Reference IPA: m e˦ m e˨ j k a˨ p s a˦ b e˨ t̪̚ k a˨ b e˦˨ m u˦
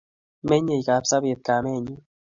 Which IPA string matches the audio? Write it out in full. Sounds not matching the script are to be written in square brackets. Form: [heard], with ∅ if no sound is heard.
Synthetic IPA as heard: m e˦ [ɲ] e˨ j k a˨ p s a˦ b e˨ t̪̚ k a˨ [m] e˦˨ [ɲ] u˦